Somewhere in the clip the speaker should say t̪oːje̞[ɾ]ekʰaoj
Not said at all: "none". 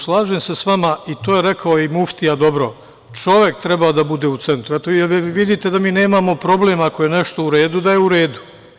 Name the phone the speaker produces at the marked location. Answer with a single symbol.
ɾ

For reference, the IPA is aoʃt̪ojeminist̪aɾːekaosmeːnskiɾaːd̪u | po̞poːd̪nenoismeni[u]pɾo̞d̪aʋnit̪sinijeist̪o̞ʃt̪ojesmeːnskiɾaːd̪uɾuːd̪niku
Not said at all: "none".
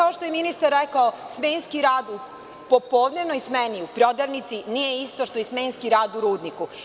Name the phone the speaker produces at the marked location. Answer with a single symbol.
u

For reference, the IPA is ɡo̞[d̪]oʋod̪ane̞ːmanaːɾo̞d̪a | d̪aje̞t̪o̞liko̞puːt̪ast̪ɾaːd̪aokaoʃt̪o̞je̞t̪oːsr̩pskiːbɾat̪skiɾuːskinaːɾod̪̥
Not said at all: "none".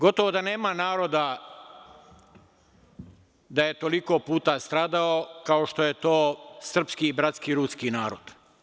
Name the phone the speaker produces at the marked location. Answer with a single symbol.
t̪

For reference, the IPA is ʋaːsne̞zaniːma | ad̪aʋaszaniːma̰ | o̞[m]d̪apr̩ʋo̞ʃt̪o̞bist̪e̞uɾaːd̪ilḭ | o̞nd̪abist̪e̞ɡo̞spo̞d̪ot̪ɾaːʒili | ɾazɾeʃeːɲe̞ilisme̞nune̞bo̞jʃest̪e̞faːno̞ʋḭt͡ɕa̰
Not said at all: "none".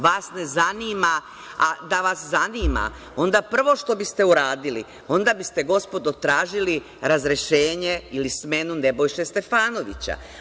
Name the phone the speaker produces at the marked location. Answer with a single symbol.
n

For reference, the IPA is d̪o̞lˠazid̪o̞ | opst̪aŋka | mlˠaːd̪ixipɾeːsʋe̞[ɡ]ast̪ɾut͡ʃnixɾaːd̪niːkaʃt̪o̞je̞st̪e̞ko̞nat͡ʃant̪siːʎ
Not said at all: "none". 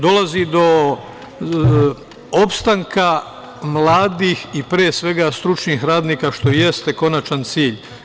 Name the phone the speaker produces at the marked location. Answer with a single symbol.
ɡ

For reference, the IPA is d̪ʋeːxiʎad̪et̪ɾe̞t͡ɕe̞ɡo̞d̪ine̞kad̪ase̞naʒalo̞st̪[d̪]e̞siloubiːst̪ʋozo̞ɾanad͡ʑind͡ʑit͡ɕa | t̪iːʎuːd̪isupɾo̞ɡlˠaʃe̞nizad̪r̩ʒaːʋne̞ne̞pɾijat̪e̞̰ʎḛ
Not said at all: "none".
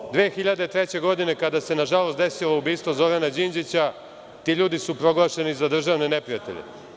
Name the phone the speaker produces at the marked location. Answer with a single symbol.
d̪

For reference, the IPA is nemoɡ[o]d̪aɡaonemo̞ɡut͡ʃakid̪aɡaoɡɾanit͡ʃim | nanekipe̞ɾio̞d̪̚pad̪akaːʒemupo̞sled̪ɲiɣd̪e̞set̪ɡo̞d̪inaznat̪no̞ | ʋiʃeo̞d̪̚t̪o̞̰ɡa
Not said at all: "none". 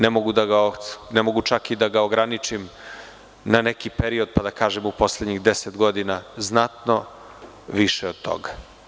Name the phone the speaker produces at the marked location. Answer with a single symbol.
u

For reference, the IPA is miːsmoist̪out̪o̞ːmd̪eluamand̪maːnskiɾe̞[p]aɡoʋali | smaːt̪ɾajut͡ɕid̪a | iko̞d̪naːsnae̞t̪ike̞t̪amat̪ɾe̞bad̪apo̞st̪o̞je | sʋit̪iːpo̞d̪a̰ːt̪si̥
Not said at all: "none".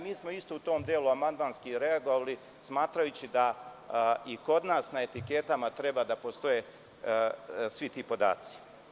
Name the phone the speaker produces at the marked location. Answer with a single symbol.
none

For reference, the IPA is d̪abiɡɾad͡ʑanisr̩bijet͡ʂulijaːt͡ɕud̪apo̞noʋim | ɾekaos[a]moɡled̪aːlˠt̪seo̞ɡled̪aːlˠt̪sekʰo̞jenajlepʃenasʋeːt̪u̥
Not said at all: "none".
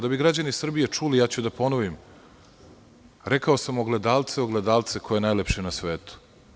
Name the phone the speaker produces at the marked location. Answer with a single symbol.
a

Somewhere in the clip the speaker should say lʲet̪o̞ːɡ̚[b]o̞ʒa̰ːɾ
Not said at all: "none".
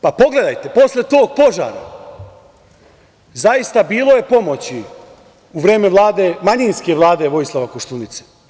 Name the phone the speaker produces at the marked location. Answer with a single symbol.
p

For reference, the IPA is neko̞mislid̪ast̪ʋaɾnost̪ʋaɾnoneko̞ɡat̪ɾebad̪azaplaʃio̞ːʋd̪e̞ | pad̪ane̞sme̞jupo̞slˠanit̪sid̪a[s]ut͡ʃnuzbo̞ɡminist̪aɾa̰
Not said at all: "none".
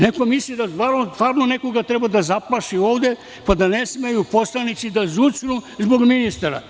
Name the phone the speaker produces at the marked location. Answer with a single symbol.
z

